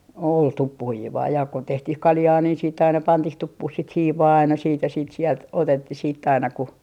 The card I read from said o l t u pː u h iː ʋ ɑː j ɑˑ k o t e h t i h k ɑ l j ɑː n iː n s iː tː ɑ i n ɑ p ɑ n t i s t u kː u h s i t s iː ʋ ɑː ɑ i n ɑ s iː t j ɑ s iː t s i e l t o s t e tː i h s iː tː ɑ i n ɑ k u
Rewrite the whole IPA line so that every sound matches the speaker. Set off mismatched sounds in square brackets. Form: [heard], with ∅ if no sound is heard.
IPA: o l t u pː u h iː ʋ ɑː j ɑˑ k o t e h t i h k ɑ l j ɑː n iː n s iː tː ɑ i n ɑ p ɑ n t i [h] t u [pː] u h s i t [h] iː ʋ ɑː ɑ i n ɑ s iː t j ɑ s iː t s i e l t o [∅] t e tː i h s iː tː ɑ i n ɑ k u